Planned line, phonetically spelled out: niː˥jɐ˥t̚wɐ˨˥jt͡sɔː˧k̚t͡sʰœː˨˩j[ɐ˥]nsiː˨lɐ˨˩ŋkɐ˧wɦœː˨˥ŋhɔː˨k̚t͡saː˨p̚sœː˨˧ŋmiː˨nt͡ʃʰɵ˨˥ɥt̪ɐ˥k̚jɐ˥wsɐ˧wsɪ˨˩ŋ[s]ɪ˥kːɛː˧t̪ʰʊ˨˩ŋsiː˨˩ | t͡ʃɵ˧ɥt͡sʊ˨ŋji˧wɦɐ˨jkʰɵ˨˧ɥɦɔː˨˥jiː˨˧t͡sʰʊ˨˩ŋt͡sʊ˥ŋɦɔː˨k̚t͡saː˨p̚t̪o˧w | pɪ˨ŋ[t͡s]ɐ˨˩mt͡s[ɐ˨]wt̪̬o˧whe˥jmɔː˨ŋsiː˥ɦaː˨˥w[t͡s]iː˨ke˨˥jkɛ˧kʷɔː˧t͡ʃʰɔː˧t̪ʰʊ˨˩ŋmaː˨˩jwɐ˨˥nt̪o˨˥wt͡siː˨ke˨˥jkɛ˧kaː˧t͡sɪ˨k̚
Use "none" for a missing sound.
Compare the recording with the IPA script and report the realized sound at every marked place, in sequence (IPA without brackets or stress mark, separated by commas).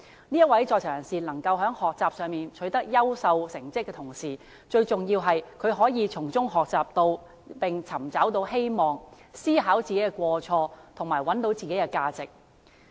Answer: ɐ˨˩, t͡s, t͡sʰ, ɐ˨˥, t͡s